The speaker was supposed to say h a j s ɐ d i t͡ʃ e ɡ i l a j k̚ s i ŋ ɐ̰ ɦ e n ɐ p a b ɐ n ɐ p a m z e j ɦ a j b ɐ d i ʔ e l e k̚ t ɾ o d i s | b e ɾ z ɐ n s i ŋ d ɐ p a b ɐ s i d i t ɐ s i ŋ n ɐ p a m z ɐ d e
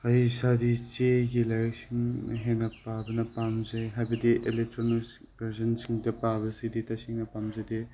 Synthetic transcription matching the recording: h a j s a d i t͡ʃ e ɡ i l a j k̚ s i ŋ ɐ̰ ɦ e n ɐ p a b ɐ n ɐ p a m z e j ɦ a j b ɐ d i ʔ e l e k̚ t ɾ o n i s | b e ɾ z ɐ n s i ŋ d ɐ p a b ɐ s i d i t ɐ s i ŋ n ɐ p a m z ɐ d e